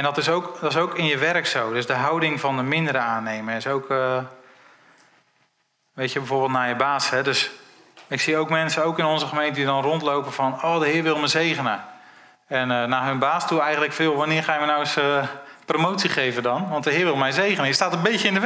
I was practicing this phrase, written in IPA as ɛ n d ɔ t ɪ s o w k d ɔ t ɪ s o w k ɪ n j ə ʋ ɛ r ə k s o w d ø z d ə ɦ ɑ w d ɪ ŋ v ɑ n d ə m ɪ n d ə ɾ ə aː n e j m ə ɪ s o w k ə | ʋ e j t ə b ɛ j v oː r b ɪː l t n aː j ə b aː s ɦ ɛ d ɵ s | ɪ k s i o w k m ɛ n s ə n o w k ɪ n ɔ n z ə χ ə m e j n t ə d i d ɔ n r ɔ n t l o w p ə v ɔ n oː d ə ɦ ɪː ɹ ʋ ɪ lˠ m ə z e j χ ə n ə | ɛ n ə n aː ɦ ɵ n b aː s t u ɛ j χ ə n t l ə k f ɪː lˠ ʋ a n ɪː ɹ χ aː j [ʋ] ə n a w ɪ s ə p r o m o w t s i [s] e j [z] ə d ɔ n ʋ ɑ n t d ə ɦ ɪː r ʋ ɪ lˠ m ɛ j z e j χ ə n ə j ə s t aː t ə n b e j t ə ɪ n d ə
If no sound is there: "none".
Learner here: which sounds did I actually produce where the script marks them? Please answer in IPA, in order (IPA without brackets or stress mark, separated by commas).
ʋ, χ, v